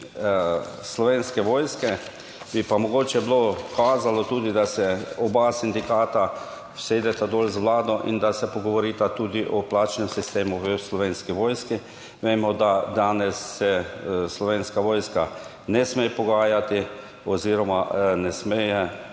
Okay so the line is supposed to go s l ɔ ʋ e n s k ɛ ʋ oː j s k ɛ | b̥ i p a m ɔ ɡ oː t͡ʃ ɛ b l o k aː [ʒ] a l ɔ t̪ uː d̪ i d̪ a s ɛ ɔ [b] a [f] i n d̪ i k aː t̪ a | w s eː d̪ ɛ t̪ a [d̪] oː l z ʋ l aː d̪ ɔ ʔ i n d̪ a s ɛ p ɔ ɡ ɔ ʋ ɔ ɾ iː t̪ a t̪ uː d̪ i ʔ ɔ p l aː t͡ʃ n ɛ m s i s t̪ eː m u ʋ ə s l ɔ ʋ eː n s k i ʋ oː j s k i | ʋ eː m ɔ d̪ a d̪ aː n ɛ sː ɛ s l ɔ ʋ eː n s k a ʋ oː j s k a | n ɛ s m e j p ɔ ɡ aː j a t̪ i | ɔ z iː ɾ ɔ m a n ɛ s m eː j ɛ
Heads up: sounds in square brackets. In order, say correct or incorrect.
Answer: incorrect: z, correct, incorrect: s, correct

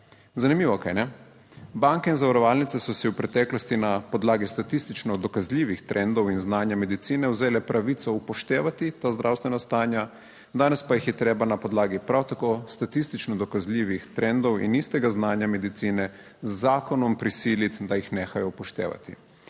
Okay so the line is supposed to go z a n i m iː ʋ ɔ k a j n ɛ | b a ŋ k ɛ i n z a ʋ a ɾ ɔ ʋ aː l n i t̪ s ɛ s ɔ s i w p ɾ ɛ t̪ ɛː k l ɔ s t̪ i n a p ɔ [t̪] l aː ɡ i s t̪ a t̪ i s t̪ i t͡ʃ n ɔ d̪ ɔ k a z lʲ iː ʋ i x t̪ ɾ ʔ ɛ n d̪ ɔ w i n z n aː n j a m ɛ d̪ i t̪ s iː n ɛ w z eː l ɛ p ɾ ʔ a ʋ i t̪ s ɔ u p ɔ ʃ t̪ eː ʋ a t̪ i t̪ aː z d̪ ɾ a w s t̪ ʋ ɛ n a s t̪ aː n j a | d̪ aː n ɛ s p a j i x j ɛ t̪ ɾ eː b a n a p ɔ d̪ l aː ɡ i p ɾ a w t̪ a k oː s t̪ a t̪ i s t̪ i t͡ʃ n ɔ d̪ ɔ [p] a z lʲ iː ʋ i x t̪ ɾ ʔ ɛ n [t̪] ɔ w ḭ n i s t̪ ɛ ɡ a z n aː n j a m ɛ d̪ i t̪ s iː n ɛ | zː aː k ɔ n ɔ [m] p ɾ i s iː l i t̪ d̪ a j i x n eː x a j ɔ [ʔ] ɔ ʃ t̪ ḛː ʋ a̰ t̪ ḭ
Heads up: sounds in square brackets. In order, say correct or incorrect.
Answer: incorrect: d̪, incorrect: k, incorrect: d̪, correct, incorrect: p

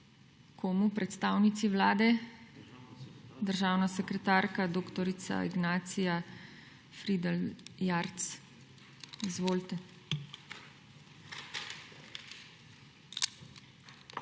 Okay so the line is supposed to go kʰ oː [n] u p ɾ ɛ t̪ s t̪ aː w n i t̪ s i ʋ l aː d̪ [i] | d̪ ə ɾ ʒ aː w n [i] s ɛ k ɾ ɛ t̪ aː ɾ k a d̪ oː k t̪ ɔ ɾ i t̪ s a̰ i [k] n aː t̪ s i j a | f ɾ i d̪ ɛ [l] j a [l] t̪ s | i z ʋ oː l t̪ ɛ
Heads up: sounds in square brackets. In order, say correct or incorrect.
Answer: incorrect: m, incorrect: ɛ, incorrect: a, incorrect: ɡ, correct, incorrect: ɾ

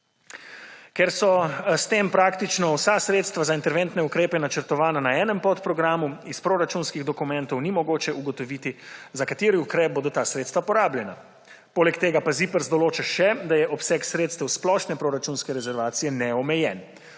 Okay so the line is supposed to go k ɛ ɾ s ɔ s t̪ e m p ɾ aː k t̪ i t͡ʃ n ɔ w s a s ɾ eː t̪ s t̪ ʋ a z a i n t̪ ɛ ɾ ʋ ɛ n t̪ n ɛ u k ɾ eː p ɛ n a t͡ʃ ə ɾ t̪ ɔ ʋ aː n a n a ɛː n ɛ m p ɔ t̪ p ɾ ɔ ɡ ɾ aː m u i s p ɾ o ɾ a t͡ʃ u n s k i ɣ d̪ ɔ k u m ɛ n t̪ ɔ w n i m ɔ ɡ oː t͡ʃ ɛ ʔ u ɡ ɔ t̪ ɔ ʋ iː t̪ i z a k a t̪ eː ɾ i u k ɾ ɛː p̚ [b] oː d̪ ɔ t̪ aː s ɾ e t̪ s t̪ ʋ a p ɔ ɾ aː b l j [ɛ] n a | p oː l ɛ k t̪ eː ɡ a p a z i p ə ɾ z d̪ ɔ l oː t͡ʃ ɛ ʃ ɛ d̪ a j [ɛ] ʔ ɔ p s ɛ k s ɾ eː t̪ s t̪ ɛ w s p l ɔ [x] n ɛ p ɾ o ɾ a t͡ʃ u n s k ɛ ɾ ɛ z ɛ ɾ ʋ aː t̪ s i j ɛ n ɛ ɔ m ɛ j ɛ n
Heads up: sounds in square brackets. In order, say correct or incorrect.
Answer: correct, correct, correct, incorrect: ʃ

